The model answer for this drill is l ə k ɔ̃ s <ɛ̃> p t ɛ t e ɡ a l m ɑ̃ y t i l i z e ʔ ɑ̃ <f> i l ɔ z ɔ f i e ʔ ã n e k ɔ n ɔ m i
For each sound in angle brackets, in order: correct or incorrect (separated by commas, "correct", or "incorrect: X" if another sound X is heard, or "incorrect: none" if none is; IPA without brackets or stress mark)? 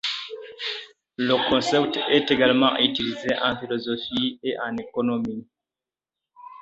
incorrect: ɛ, correct